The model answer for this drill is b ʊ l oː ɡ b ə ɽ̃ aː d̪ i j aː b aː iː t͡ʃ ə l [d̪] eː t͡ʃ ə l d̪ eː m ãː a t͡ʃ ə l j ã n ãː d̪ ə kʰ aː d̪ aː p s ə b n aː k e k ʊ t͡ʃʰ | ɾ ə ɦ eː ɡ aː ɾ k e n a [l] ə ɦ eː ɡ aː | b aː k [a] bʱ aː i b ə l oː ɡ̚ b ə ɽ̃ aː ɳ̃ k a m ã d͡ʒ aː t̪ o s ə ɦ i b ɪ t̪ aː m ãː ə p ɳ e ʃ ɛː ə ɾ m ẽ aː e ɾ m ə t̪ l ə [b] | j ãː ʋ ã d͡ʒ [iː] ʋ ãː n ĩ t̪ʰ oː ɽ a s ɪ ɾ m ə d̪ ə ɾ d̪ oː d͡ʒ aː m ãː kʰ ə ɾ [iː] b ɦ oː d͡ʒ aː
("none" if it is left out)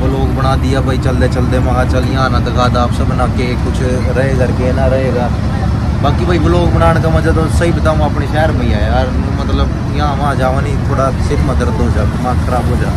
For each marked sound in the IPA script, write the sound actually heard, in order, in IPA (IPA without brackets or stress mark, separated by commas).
d̪, ɾ, i, b, aː, aː